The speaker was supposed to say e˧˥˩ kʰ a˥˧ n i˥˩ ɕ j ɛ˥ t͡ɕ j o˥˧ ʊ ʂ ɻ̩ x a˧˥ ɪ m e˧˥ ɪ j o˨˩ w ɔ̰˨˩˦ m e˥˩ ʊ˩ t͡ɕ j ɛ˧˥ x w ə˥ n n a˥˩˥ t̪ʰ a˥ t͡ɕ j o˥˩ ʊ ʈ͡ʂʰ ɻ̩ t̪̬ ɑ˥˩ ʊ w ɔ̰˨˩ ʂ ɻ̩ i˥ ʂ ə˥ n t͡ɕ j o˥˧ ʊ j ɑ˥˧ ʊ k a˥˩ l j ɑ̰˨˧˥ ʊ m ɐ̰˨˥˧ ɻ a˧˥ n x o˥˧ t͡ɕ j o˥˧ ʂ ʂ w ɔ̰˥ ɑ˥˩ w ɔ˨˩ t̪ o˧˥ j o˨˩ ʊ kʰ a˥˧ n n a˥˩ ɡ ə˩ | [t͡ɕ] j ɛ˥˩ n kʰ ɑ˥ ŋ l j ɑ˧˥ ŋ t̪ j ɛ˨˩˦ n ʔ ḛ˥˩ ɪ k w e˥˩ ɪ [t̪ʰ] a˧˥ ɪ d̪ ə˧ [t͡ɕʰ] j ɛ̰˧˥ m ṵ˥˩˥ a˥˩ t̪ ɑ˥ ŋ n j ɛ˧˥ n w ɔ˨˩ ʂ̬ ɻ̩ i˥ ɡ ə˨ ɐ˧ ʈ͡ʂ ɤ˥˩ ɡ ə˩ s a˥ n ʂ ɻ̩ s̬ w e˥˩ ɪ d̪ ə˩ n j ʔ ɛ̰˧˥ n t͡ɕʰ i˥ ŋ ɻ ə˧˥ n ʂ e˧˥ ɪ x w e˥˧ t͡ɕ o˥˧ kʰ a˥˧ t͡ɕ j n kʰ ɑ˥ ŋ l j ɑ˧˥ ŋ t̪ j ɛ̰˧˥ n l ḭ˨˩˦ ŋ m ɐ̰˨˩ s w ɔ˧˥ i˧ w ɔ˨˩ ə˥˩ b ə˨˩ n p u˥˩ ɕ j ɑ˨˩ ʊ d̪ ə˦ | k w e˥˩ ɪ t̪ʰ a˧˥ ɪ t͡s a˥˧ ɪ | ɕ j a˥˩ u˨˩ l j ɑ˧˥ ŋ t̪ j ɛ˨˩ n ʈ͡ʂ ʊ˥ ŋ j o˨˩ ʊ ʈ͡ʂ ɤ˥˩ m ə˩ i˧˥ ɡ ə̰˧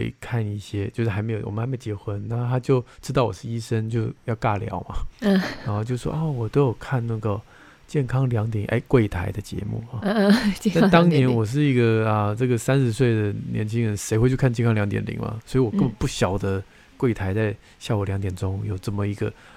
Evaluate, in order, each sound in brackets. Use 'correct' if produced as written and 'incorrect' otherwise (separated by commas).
correct, correct, incorrect